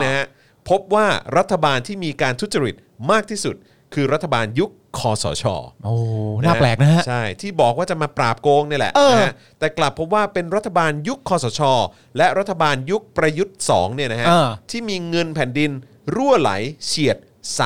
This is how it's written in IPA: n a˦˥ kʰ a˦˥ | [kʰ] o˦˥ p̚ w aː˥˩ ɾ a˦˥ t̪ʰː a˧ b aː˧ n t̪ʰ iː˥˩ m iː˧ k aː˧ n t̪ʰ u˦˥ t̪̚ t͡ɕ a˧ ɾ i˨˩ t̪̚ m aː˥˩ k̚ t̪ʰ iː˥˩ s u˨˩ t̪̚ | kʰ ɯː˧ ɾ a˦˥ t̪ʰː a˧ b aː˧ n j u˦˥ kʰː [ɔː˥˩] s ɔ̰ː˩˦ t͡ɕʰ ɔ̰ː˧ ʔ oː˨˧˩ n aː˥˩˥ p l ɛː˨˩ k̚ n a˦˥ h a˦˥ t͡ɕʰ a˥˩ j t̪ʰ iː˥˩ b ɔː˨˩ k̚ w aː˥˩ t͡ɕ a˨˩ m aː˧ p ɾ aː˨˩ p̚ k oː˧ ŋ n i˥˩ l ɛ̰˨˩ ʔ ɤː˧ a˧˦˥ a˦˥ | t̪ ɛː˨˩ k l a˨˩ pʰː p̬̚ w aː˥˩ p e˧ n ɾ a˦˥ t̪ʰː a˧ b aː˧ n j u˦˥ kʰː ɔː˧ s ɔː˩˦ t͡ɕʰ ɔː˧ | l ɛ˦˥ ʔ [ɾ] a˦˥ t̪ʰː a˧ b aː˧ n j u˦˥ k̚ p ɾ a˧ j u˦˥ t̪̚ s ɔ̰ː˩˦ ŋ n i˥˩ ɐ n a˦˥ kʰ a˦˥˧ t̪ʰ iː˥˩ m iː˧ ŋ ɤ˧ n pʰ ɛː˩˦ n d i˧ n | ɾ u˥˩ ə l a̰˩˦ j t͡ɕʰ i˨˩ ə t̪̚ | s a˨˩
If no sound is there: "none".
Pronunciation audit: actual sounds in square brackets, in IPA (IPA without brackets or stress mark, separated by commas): pʰ, ɔː˧, ɾ